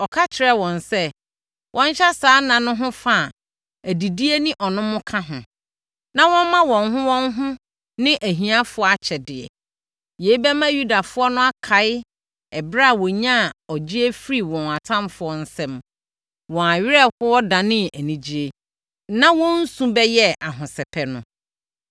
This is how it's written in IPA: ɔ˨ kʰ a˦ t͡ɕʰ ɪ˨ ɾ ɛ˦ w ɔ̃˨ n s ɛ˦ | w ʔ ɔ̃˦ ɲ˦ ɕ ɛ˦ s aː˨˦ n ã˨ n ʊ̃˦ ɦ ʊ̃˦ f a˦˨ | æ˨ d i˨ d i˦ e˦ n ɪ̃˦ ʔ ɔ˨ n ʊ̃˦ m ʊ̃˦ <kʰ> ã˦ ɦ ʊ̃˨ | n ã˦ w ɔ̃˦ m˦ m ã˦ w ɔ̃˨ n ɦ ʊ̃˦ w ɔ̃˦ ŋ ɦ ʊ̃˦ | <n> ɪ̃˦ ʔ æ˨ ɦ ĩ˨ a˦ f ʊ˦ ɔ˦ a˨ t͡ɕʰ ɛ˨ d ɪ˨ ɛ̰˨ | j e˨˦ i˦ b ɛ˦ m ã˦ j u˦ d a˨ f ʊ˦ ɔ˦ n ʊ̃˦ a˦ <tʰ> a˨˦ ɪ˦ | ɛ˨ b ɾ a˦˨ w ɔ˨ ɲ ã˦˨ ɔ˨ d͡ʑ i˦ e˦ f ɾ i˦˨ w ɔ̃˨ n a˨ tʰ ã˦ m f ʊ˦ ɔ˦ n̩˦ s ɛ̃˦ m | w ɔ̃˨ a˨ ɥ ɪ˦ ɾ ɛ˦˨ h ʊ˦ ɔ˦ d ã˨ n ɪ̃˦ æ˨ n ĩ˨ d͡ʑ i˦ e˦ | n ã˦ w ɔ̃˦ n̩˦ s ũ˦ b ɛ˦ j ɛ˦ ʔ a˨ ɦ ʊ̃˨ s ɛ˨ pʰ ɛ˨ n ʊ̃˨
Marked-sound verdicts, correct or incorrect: correct, correct, incorrect: kʰ

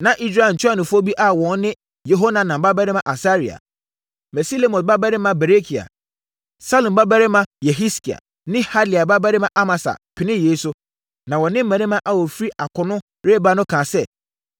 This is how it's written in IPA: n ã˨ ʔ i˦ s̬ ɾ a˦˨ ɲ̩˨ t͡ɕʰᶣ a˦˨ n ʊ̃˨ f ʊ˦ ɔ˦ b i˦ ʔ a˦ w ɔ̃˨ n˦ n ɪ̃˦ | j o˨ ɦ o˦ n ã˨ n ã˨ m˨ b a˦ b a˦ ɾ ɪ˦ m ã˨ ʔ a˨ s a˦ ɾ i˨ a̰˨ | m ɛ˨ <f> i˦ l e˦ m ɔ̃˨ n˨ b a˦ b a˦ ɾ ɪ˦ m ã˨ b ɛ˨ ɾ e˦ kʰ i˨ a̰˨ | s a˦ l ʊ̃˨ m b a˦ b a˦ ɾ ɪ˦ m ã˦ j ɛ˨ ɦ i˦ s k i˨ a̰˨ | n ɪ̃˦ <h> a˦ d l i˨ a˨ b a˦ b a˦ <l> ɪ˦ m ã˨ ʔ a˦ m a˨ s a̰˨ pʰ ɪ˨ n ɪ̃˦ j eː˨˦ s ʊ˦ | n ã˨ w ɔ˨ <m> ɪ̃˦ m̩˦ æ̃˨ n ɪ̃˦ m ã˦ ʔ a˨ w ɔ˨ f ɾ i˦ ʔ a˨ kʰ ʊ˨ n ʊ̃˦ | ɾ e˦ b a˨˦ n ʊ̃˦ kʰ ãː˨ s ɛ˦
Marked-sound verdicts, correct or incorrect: incorrect: s, correct, incorrect: ɾ, incorrect: n

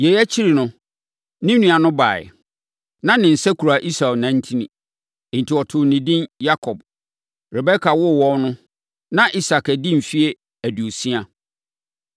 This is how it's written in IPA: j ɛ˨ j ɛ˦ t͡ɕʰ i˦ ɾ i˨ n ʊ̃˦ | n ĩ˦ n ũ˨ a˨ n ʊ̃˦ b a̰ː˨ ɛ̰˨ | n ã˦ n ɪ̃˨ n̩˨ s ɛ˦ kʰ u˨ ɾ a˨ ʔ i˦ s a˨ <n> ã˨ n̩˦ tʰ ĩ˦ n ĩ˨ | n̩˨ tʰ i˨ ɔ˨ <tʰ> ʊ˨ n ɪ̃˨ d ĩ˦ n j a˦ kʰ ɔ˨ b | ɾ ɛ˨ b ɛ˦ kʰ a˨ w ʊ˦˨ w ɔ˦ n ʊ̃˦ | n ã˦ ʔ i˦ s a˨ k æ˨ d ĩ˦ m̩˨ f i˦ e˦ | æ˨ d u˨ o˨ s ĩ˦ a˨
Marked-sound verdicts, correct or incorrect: correct, correct

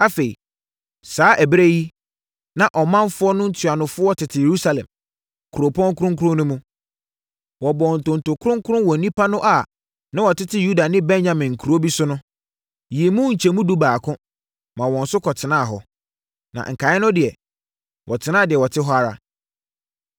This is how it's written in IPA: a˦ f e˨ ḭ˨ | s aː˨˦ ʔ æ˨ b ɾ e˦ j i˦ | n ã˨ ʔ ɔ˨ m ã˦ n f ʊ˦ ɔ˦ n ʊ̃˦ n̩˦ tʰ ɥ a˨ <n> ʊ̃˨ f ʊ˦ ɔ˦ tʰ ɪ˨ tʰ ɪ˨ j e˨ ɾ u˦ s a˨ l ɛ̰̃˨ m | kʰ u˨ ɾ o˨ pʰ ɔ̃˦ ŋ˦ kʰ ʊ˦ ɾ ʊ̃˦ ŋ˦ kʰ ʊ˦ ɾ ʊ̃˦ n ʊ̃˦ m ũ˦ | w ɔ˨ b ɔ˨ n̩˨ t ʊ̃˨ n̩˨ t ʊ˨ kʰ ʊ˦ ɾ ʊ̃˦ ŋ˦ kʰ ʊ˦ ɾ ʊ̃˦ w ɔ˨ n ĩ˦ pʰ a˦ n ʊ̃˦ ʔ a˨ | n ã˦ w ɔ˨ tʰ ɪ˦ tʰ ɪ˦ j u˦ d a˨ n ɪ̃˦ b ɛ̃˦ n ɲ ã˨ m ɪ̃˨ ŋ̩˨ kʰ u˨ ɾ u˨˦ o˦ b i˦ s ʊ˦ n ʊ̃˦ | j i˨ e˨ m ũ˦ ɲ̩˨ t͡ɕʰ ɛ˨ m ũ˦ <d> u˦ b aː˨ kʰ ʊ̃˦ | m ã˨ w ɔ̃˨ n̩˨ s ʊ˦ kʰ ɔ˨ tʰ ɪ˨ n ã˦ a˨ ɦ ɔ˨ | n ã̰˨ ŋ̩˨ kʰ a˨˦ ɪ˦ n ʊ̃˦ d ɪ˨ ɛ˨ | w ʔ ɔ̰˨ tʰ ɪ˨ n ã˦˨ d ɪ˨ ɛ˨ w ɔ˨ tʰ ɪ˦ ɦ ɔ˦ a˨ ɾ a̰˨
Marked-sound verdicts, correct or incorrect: correct, correct

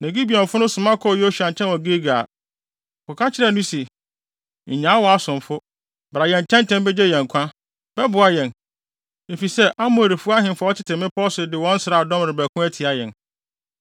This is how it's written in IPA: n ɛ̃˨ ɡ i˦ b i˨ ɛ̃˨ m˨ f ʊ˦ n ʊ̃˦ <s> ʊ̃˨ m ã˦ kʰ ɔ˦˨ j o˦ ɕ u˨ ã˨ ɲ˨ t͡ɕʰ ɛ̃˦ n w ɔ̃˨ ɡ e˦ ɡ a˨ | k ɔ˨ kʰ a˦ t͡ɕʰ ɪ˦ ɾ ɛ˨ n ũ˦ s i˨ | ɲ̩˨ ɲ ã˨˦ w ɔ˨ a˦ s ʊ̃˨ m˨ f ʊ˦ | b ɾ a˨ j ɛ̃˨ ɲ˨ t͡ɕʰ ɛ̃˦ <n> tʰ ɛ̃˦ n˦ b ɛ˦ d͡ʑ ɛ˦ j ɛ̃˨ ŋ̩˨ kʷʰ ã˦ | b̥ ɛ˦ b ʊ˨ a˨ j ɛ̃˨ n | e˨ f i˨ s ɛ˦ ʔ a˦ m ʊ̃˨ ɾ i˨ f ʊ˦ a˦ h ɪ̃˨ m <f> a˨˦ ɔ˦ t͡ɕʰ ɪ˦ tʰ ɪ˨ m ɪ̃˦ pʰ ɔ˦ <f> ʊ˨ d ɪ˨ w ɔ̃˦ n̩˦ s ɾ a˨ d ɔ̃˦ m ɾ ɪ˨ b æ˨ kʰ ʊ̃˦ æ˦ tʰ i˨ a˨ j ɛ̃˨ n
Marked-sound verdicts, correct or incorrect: correct, correct, correct, incorrect: s

